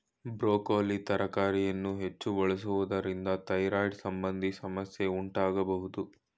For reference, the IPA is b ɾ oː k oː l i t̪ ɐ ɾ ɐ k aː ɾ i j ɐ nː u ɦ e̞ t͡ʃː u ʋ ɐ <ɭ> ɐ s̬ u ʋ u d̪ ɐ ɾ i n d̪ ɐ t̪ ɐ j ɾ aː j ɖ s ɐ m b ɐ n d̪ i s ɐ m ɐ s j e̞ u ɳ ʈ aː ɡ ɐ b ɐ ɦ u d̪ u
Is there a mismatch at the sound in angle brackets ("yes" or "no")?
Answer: no